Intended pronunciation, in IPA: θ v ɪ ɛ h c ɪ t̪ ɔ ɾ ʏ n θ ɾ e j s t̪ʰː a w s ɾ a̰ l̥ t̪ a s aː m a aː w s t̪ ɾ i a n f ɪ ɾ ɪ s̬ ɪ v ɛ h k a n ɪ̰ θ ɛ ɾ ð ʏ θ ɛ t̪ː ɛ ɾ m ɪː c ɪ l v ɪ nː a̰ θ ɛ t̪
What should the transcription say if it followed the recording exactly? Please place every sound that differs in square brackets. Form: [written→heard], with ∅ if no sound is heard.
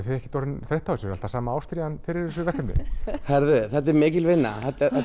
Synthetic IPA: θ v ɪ ɛ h c ɪ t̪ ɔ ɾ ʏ n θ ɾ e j [s→h] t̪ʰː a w s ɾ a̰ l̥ t̪ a s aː m a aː w s t̪ ɾ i a n f ɪ ɾ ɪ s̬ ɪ v ɛ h k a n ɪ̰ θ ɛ ɾ ð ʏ θ ɛ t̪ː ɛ ɾ m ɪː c ɪ l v ɪ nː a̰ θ ɛ t̪